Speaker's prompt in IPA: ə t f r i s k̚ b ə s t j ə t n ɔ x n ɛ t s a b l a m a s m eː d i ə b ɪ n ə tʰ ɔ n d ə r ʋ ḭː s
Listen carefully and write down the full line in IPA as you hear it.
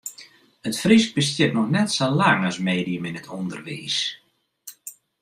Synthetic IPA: ə t f r i s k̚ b ə s t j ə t n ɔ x n ɛ t s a l a ŋ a s m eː d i ə m ɪ n ə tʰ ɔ n d ə r ʋ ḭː s